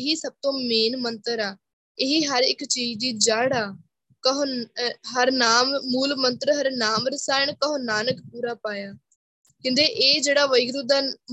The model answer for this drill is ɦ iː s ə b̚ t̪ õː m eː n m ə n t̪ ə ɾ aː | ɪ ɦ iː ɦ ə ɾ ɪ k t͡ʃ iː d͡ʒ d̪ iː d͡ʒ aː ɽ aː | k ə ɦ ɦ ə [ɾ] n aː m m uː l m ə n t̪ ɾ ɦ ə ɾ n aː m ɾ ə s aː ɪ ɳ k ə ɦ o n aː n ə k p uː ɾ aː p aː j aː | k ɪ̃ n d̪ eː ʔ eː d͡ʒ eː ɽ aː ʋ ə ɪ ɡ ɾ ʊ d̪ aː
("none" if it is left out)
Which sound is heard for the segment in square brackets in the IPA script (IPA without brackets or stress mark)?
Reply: ɾ